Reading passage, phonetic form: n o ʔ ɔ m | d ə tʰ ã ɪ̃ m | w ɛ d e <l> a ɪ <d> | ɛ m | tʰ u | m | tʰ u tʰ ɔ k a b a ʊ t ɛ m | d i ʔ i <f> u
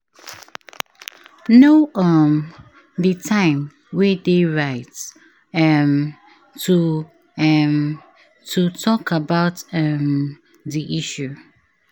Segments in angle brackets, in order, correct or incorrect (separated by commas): incorrect, incorrect, incorrect